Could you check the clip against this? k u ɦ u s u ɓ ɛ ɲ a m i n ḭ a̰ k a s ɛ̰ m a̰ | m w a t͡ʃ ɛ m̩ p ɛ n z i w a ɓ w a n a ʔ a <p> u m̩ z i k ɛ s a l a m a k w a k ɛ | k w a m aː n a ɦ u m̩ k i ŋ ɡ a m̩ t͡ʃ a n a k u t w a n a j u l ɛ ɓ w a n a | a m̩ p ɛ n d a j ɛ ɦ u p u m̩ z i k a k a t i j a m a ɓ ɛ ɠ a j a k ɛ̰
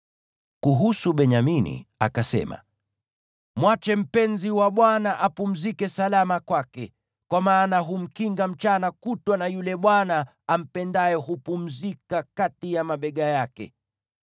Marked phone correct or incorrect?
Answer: correct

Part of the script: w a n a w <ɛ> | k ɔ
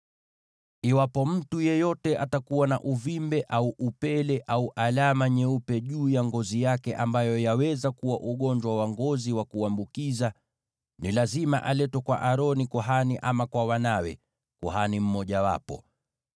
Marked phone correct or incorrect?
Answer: correct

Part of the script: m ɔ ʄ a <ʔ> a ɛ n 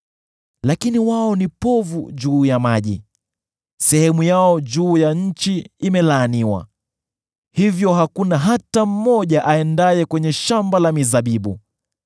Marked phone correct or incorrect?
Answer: correct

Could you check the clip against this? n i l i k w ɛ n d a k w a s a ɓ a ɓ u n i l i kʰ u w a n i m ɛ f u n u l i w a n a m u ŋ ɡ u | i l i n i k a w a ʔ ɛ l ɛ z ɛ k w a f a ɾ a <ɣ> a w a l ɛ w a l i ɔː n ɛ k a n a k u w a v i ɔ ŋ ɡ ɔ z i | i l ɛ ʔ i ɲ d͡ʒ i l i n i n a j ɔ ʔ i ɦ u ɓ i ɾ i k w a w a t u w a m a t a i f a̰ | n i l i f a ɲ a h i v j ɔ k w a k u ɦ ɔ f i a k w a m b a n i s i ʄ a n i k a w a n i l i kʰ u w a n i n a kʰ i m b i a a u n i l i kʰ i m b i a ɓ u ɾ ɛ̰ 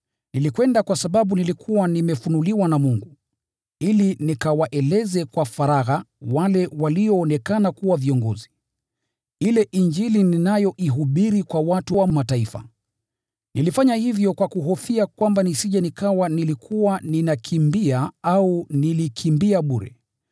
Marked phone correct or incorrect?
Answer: correct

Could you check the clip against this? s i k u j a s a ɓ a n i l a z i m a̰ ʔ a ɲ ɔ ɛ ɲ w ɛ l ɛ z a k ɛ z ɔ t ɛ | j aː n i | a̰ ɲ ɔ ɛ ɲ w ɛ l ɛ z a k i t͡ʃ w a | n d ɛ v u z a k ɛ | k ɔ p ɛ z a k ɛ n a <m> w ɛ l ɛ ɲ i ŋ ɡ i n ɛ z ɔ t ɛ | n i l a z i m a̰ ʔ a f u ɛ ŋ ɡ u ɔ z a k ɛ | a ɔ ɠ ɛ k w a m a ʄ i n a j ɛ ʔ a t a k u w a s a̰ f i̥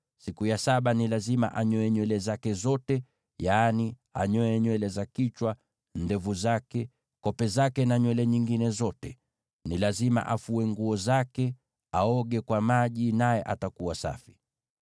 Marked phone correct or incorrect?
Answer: incorrect: ɲ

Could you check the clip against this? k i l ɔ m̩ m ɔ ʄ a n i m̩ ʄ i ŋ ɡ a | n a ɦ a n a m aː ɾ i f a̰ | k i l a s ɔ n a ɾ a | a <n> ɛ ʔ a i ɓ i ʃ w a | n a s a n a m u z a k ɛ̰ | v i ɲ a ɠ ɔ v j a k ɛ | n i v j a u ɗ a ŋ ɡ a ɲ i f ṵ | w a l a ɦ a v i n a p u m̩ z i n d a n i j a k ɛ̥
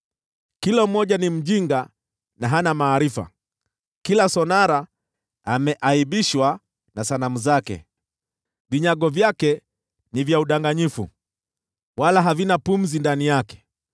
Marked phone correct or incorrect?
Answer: incorrect: m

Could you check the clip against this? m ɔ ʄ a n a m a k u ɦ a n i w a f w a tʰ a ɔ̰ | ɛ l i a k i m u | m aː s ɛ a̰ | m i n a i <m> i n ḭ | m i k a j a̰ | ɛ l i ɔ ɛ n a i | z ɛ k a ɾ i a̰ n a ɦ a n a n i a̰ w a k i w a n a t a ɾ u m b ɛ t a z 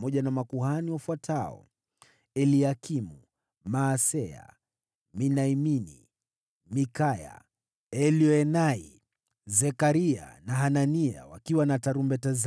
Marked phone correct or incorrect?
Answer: correct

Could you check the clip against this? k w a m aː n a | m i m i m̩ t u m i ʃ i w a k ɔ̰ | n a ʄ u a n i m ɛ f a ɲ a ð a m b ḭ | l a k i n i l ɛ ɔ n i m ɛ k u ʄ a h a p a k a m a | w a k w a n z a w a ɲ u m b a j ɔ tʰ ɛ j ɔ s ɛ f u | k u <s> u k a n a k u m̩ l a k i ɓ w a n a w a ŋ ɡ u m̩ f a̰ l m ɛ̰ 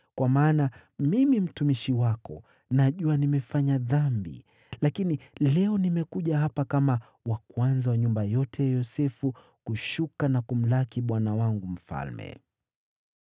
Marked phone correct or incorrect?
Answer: incorrect: ʃ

